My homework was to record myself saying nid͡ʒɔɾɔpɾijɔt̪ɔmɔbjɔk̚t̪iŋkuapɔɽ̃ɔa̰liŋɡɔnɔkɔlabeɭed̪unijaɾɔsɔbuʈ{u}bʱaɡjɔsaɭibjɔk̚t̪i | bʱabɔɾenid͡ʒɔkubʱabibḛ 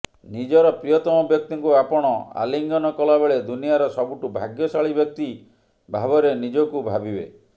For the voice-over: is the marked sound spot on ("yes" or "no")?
yes